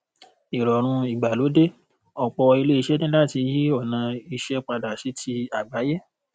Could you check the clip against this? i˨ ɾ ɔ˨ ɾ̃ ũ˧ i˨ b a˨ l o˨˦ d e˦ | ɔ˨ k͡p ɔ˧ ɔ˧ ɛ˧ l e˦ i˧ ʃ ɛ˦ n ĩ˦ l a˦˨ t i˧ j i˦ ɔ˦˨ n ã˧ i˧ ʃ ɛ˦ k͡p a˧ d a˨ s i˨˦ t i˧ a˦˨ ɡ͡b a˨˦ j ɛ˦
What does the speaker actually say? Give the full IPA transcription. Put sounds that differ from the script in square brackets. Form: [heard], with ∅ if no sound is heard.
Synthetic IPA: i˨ ɾ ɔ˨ ɾ̃ ũ˧ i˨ [ɡ͡b] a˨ l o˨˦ d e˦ | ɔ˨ k͡p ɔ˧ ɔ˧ [i˧] l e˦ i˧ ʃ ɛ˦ n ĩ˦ l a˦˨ t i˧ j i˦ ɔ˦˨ n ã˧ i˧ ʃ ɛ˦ k͡p a˧ d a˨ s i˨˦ t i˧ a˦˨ ɡ͡b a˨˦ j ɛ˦